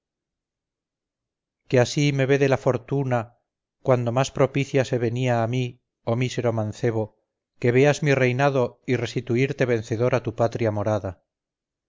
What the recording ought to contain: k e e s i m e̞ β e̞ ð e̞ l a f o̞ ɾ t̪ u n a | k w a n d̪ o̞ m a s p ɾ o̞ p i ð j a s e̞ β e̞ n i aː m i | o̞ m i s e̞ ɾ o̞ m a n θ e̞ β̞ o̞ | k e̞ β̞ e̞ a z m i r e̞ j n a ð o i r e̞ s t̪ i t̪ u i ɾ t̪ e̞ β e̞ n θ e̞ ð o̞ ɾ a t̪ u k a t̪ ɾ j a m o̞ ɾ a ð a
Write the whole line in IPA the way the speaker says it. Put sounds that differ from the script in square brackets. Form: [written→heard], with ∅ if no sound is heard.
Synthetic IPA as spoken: k e [e→a] s i m e̞ β e̞ ð e̞ l a f o̞ ɾ t̪ u n a | k w a n d̪ o̞ m a s p ɾ o̞ p i [ð→θ] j a s e̞ β e̞ n i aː m i | o̞ m i s e̞ ɾ o̞ m a n θ e̞ β̞ o̞ | k e̞ β̞ e̞ a z m i r e̞ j n a ð o i r e̞ s t̪ i t̪ u i ɾ t̪ e̞ β e̞ n θ e̞ ð o̞ ɾ a t̪ u [k→p] a t̪ ɾ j a m o̞ ɾ a ð a